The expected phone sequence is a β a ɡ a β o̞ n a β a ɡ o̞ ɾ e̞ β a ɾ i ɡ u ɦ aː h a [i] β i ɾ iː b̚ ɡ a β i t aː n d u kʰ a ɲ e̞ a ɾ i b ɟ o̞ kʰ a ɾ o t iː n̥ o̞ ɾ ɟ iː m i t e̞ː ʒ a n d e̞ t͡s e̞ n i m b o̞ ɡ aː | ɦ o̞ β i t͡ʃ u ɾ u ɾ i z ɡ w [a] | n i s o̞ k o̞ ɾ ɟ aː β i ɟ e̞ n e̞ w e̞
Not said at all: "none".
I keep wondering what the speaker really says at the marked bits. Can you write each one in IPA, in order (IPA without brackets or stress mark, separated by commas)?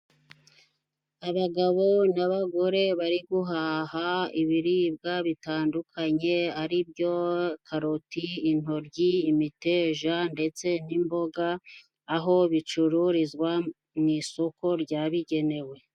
i, a